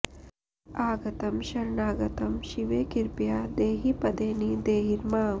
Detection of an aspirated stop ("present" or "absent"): absent